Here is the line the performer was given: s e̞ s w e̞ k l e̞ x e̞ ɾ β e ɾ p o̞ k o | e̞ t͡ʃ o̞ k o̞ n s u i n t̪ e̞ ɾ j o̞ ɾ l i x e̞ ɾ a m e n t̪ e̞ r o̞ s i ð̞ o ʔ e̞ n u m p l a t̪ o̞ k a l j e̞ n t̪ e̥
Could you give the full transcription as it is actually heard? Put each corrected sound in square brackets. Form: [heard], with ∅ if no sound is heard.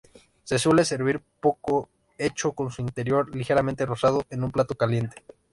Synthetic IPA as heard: s e̞ s w e̞ [∅] l e̞ [s] e̞ ɾ β [i] ɾ p o̞ k o | e̞ t͡ʃ o̞ k o̞ n s u i n t̪ e̞ ɾ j o̞ ɾ l i x e̞ ɾ a m e n t̪ e̞ r o̞ s [a] ð̞ o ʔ e̞ n u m p l a t̪ o̞ k a l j e̞ n t̪ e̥